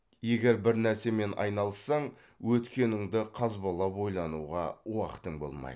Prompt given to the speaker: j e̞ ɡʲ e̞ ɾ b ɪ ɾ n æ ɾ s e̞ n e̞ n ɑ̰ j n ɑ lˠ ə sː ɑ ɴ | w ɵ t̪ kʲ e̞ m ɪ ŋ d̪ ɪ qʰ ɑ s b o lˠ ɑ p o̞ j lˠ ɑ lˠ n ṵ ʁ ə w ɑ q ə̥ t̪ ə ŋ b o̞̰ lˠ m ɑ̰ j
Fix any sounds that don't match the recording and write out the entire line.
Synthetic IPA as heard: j e̞ ɡʲ e̞ ɾ b ɪ ɾ n æ ɾ s e̞ m e̞ n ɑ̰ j n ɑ lˠ ə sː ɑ ɴ | w ɵ t̪ kʲ e̞ n ɪ ŋ d̪ ɪ qʰ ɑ z b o lˠ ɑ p o̞ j lˠ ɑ n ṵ ʁ ɑ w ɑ q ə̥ t̪ ə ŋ b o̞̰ lˠ m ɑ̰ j